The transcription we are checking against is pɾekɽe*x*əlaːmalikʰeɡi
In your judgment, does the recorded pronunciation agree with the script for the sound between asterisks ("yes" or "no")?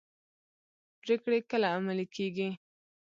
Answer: no